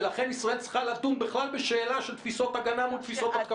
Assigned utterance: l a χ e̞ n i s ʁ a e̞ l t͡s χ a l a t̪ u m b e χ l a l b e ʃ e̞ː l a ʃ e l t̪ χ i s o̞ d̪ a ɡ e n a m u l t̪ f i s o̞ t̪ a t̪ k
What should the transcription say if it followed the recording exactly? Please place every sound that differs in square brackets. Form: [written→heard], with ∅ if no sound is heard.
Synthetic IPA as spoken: l a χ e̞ n i s ʁ a e̞ l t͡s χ a l a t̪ u m b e χ l a l b e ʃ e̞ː l a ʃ e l t̪ [χ→f] i s o̞ [d̪→t̪] a ɡ [e→a] n a m u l t̪ f i s o̞ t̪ a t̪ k

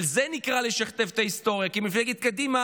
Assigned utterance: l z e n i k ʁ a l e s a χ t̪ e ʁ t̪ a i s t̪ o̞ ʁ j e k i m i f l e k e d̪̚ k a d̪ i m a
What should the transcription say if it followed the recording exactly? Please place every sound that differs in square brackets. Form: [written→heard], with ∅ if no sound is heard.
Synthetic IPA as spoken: l z e n i k ʁ a l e [s→ʃ] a χ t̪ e [ʁ→v] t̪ a i s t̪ o̞ ʁ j [e→a] k i m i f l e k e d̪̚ k a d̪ i m a

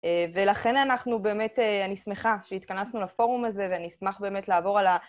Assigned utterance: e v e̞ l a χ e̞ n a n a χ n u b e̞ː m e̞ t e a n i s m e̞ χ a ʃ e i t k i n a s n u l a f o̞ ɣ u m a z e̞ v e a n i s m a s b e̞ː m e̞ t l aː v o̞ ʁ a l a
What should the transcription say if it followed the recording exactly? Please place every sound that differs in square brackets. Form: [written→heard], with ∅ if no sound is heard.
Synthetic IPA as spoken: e v e̞ l a χ e̞ n a n a χ n u b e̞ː m e̞ t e a n i s m e̞ χ a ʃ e i t k [i→a] n a s n u l a f o̞ [ɣ→ʁ] u m a z e̞ v e a n i s m a [s→χ] b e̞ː m e̞ t l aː v o̞ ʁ a l a

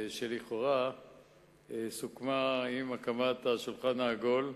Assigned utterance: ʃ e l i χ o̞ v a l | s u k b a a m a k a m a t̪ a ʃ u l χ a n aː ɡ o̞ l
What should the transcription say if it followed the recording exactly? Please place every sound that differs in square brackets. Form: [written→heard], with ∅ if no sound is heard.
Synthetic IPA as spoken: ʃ e l i χ o̞ [v→ʁ] a [l→∅] | s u k [b→m] a [a→i] m a k a m a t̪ a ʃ u l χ a n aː ɡ o̞ l

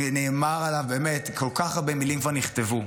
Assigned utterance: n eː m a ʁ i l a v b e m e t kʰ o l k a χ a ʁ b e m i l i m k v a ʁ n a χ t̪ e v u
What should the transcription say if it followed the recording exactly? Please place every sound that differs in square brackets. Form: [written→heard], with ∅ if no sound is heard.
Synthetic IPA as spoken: n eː m a ʁ [i→a] l a v b e m e t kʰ o l k a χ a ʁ b e m i l i m k v a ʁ n [a→i] χ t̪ e v u

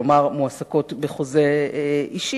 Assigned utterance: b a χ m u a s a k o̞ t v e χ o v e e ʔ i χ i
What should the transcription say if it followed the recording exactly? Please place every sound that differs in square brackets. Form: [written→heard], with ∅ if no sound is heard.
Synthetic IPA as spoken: [b→m] a [χ→ʁ] m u a s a k o̞ t [v→b] e χ o [v→z] e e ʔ i [χ→ʃ] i

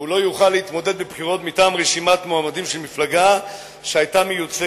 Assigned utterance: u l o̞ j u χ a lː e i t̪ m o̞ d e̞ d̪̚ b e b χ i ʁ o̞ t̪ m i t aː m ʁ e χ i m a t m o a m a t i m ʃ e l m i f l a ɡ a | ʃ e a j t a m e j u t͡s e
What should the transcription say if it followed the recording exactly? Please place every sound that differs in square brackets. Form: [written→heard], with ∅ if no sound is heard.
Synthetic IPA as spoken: u l o̞ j u χ a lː e i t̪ m o̞ d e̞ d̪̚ b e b χ i ʁ o̞ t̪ m i t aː m ʁ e [χ→ʃ] i m a t m o a m a [t→d] i m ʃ e l m i f l a ɡ a | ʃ e a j t a m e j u t͡s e

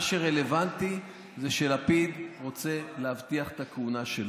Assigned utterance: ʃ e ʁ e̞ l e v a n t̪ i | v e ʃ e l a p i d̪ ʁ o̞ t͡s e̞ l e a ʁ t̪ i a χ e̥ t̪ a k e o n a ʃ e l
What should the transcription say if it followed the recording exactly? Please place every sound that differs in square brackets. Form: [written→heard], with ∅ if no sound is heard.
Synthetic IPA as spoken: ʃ e ʁ e̞ l e v a n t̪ i | [v→z] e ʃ e l a p i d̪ ʁ o̞ t͡s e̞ l e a [ʁ→v] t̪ i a χ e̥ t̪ a k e [o→u] n a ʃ e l

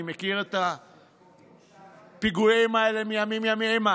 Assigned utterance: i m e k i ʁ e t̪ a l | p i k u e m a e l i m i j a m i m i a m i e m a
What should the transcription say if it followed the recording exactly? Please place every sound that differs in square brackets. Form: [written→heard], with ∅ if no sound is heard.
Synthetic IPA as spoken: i m e k i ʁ e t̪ a [l→∅] | p i [k→ɡ] u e m a e l [i→e] m i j a m i m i a m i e m a

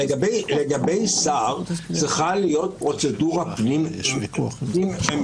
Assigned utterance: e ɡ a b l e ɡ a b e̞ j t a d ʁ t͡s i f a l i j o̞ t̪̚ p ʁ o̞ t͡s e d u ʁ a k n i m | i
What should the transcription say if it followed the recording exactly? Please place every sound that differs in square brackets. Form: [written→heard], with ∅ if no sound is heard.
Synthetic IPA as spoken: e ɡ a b l e ɡ a b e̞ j [t→s] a [d→∅] ʁ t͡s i [f→χ] a l i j o̞ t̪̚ p ʁ o̞ t͡s e d u ʁ a [k→p] n i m | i

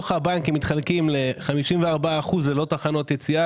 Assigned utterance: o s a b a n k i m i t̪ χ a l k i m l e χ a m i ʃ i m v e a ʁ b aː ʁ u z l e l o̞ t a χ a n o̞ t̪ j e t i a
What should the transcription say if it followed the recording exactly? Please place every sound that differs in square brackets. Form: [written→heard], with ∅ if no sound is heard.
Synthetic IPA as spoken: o [s→χ] a b a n k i m i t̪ χ a l k i m l e χ a m i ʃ i m v e a ʁ b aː [ʁ→χ] u z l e l o̞ t a χ a n o̞ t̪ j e [t→t͡s] i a

